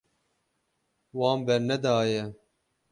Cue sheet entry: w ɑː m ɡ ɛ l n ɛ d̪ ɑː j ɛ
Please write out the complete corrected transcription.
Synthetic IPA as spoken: w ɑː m b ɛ ɾ n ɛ d̪ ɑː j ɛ